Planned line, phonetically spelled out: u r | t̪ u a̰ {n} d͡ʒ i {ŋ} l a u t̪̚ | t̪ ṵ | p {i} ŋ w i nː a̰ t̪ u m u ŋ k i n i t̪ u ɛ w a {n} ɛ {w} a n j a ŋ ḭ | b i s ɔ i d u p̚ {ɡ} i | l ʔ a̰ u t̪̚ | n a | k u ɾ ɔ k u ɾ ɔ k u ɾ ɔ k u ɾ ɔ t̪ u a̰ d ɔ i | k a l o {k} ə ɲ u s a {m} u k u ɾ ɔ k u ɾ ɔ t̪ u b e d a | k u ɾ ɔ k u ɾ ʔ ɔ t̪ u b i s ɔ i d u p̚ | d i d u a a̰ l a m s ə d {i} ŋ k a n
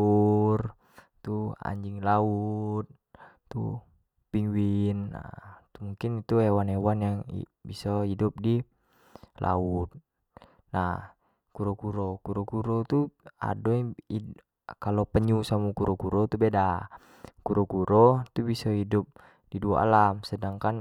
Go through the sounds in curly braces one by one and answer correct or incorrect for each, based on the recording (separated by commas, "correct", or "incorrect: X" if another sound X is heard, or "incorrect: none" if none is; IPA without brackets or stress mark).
incorrect: ɲ, correct, correct, correct, correct, incorrect: d, incorrect: p, correct, incorrect: a